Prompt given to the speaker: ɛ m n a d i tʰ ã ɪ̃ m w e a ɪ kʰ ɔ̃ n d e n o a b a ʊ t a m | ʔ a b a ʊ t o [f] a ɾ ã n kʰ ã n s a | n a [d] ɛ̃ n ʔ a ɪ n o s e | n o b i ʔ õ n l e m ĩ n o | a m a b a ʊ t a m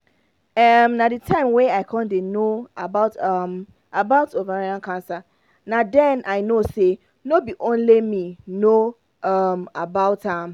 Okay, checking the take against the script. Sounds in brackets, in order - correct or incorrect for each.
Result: incorrect, correct

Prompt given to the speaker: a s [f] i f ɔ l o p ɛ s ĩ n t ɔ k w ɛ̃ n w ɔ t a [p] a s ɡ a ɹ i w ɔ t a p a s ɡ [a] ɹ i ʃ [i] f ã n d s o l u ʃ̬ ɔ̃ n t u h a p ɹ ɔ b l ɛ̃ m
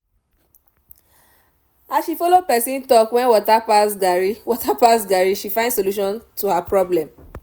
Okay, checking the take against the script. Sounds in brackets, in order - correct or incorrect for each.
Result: incorrect, correct, correct, correct

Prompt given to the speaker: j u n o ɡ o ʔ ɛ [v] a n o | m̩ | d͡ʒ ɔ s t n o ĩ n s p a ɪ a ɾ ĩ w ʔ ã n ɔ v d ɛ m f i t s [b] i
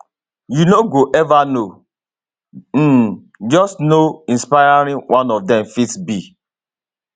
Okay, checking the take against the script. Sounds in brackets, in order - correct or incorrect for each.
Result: correct, correct

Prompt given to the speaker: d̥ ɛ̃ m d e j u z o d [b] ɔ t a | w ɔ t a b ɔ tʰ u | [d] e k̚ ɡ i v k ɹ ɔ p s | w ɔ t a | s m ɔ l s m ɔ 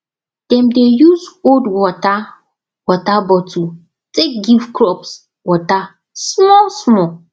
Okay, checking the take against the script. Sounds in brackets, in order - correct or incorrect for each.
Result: incorrect, incorrect

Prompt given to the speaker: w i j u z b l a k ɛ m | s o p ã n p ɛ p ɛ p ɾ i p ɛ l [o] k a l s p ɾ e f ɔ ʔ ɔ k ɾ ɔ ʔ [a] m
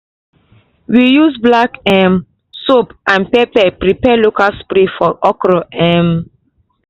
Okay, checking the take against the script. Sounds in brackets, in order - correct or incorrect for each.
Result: correct, incorrect

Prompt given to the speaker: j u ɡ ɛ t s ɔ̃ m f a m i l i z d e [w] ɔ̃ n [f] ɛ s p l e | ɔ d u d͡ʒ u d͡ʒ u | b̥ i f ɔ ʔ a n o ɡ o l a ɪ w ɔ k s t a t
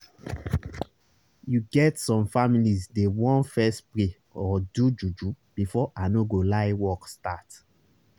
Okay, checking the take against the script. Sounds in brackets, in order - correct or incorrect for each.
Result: correct, correct

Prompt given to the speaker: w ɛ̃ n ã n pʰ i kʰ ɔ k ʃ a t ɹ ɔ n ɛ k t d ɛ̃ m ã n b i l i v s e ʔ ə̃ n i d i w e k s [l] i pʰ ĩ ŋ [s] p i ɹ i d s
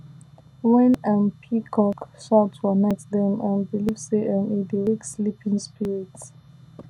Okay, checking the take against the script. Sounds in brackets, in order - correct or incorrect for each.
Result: correct, correct

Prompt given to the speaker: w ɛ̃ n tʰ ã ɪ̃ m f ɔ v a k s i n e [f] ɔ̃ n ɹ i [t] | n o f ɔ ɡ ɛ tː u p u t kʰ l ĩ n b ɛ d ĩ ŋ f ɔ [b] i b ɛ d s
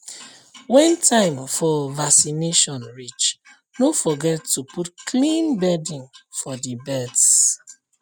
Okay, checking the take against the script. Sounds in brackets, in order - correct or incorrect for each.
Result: incorrect, incorrect, incorrect

